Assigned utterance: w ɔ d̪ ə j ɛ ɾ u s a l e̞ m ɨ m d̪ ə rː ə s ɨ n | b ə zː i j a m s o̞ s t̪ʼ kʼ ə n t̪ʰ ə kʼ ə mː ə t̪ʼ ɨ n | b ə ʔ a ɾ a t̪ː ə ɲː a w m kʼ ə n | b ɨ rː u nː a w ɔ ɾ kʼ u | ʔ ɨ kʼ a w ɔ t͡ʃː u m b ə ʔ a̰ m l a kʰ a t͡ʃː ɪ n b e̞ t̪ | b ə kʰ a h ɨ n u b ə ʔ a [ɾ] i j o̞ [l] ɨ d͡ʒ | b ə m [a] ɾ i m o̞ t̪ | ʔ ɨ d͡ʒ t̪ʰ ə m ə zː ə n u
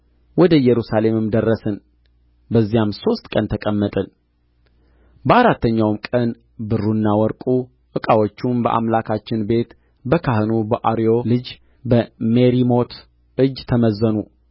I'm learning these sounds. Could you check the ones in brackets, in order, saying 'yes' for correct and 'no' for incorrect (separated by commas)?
yes, yes, no